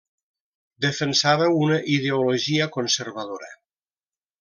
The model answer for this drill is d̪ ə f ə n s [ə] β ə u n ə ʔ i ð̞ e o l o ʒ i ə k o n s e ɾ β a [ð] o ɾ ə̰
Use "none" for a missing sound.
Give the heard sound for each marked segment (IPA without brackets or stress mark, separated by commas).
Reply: a, ð